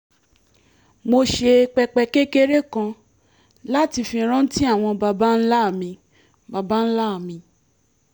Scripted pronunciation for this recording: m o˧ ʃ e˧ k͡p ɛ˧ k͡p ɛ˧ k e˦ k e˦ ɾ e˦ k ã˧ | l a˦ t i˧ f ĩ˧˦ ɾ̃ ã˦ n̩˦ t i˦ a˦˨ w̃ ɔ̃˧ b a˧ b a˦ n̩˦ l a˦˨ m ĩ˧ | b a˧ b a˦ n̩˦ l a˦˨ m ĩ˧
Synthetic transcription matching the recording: m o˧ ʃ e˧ k͡p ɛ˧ k͡p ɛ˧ k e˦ k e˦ ɾ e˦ k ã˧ | l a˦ t i˧ f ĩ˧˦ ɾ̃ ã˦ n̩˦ t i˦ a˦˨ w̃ ɔ̃˧ b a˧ b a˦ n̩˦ l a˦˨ m ĩ˧ | b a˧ b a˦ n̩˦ l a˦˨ m ĩ˧